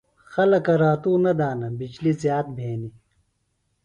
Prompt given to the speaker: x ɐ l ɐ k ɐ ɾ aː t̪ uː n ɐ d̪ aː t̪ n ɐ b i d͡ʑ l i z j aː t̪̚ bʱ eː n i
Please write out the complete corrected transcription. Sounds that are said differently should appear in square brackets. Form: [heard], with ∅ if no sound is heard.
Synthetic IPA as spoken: x ɐ l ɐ k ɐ ɾ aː t̪ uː n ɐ d̪ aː [∅] n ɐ b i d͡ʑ l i z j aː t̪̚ bʱ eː n i